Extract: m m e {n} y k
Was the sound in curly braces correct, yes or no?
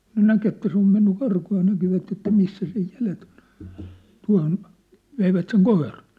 no